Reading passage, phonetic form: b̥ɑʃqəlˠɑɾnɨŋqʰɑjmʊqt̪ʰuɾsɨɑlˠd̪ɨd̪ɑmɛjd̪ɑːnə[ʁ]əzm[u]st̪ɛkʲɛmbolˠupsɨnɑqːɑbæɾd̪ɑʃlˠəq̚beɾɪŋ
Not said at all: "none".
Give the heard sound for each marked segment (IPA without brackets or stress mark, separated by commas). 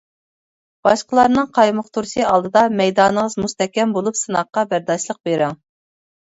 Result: ʁ, u